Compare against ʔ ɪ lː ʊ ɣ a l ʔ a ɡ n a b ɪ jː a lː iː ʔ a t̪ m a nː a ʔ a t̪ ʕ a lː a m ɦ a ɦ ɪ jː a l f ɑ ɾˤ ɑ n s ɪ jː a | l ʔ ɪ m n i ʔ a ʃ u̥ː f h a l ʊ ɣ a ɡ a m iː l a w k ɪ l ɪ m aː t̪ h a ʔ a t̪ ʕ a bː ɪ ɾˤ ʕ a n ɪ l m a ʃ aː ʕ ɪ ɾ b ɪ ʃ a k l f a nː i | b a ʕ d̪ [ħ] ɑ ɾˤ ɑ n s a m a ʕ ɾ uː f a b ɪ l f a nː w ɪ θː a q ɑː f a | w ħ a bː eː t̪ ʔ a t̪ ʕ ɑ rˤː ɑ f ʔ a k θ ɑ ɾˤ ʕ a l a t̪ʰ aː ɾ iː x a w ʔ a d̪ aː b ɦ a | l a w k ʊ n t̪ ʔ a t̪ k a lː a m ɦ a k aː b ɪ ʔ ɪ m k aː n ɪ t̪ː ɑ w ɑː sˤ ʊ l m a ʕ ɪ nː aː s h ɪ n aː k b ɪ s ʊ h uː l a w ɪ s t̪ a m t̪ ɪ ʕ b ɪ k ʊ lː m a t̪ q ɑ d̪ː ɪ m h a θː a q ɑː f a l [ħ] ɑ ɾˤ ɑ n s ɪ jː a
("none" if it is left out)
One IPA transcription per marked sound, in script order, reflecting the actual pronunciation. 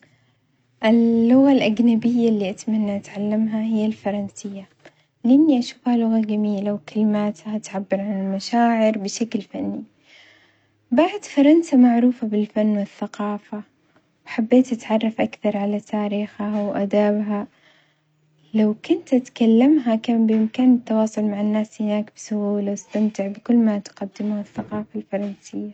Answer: f, f

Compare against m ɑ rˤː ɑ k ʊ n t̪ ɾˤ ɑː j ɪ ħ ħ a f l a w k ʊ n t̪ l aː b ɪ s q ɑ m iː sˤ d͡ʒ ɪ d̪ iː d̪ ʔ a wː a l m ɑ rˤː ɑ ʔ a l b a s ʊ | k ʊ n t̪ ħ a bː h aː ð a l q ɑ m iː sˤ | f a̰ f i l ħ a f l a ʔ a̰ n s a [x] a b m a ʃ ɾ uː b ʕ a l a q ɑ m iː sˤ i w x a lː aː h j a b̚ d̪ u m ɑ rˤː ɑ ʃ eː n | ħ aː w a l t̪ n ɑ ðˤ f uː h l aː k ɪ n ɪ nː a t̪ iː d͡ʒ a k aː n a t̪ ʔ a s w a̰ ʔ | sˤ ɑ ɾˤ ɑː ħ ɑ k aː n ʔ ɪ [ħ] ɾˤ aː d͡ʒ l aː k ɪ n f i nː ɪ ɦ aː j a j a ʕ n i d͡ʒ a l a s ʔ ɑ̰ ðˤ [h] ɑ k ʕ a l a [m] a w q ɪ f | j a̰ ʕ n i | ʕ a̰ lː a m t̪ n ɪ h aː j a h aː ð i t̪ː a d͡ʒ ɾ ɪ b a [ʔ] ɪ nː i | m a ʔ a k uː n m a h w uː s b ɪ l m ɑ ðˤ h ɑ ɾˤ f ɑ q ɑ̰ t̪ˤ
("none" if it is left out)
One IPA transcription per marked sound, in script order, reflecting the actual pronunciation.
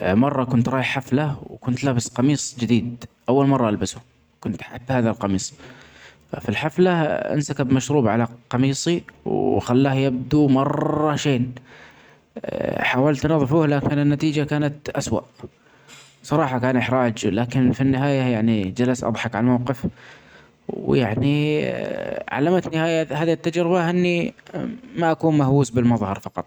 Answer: k, ħ, ħ, m, ʔ

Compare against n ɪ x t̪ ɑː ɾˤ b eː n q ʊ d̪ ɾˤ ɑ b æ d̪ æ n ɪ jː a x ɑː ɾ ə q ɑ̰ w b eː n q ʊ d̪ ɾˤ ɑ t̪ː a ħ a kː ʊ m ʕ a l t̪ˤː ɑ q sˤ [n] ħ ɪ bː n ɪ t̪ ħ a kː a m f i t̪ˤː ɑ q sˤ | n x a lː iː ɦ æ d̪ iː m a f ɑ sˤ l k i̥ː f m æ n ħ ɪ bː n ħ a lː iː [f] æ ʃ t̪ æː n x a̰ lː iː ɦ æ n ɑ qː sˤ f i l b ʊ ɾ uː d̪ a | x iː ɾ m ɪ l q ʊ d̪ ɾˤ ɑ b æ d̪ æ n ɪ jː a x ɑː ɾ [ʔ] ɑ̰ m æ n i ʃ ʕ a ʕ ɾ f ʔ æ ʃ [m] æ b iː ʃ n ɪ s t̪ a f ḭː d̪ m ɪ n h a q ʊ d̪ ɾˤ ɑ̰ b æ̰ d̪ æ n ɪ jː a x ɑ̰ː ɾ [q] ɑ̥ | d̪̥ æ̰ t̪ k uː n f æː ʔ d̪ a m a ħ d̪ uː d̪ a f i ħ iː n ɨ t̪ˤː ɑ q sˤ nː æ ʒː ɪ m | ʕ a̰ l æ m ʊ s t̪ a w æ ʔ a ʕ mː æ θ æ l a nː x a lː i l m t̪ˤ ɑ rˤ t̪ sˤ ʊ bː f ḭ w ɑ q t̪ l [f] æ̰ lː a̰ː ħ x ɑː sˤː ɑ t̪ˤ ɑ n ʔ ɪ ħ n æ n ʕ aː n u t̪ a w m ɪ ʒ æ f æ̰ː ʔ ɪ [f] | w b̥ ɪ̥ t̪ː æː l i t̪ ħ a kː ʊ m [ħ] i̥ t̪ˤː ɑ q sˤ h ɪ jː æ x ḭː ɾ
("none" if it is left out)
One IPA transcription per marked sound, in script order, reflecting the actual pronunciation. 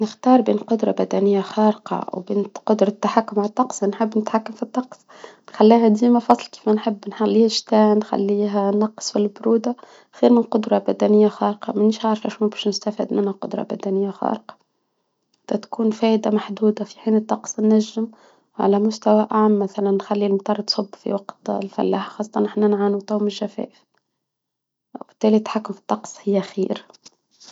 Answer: n, h, q, m, q, f, f, f

